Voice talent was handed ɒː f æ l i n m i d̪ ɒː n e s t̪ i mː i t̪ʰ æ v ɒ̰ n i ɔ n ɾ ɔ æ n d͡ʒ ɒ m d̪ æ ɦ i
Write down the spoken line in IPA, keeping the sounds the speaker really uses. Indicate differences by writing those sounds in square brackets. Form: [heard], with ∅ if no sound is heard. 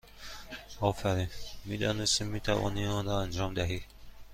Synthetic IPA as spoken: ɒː f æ [ɾ] i n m i d̪ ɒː n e s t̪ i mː i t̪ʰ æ v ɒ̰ n i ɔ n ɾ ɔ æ n d͡ʒ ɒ m d̪ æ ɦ i